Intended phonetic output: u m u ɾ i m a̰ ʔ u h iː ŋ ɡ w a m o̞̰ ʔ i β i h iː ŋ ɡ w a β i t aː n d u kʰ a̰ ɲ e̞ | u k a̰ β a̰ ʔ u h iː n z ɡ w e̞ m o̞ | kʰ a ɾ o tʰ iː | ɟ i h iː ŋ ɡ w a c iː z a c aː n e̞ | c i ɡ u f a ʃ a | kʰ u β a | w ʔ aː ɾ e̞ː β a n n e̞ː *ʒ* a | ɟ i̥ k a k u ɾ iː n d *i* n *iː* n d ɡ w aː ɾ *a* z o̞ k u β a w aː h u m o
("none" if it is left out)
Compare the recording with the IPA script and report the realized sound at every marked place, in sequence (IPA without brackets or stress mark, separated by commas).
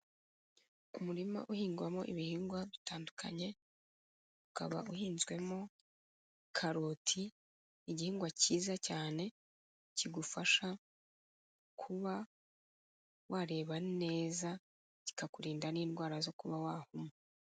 z, a, iː, a